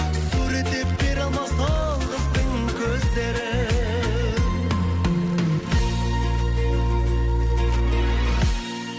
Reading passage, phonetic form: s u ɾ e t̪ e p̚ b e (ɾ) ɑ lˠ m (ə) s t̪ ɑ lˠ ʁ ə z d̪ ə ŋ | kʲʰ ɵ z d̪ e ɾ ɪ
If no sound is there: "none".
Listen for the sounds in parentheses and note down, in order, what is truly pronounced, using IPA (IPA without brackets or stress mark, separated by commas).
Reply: ɾ, ɑ